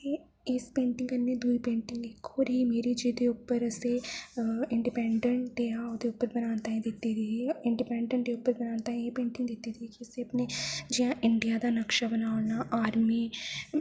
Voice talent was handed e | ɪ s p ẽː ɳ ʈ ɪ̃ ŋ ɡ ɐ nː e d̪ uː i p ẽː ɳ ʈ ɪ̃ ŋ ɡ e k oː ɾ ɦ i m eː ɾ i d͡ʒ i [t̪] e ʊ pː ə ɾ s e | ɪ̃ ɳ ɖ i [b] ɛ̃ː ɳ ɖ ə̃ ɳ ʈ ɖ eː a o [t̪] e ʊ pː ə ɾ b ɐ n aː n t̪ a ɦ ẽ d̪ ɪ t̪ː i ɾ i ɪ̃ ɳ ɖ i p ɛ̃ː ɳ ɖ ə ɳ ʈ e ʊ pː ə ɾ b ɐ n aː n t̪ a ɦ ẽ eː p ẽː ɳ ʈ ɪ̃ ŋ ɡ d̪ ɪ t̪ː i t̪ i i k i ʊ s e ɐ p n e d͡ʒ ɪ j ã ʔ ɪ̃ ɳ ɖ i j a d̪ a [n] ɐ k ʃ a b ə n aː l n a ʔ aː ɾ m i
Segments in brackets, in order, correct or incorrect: incorrect: d̪, incorrect: p, incorrect: d̪, correct

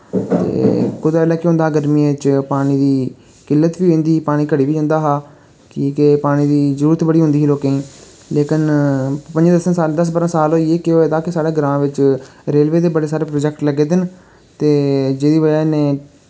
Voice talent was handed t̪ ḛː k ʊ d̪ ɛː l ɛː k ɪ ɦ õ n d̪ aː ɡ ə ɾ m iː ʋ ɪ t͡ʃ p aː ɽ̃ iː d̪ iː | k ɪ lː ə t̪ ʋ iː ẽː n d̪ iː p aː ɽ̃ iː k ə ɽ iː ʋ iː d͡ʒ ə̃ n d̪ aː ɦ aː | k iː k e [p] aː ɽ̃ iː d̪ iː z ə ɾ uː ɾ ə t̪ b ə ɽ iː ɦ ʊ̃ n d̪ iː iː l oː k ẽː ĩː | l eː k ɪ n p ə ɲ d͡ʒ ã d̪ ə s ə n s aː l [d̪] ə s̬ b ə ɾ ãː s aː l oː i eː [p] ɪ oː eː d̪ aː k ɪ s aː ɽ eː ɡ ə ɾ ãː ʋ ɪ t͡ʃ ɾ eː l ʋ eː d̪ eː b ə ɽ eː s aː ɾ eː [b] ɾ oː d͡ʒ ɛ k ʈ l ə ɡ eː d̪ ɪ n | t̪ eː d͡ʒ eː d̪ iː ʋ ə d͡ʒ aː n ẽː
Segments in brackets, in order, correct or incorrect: correct, correct, incorrect: k, incorrect: p

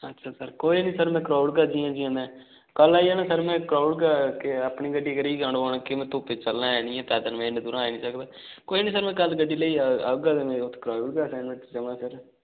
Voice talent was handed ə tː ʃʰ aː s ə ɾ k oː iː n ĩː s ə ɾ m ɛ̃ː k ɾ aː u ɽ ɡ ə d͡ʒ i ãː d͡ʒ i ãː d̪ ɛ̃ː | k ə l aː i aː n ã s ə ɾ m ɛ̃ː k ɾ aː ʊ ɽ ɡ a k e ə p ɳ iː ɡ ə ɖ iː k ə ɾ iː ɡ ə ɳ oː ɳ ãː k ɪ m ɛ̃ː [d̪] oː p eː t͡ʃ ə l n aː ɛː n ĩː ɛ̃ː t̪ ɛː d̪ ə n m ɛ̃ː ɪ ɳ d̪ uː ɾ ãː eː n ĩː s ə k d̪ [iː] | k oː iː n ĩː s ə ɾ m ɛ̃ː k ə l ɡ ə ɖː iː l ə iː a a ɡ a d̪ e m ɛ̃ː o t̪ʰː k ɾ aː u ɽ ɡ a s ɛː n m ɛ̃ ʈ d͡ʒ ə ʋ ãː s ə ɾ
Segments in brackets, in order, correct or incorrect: incorrect: t̪, incorrect: aː

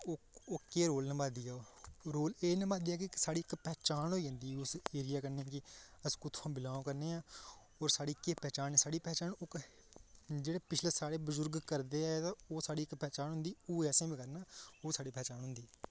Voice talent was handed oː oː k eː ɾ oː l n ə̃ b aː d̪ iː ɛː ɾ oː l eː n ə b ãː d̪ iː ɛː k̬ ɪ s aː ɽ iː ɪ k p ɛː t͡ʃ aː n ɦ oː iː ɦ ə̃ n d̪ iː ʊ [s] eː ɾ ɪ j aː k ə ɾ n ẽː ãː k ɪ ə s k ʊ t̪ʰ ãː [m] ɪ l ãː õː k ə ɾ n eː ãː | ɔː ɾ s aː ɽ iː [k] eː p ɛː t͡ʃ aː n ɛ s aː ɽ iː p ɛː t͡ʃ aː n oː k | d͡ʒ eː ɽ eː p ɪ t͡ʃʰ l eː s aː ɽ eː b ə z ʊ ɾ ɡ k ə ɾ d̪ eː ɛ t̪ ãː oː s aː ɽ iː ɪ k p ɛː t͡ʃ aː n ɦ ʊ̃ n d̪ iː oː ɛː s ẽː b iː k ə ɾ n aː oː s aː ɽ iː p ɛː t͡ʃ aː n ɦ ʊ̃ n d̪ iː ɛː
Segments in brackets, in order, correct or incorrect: correct, incorrect: b, correct

